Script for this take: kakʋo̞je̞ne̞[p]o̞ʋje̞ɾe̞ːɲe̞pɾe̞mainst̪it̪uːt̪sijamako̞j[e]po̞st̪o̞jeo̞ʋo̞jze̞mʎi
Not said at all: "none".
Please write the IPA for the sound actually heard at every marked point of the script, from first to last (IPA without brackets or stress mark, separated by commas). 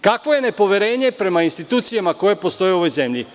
p, e